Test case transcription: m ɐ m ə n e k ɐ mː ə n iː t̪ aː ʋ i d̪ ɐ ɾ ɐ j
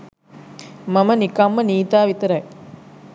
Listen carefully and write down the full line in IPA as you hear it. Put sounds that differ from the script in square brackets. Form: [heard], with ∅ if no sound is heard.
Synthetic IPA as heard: m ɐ m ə n [i] k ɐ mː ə n iː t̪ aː ʋ i [t̪] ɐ ɾ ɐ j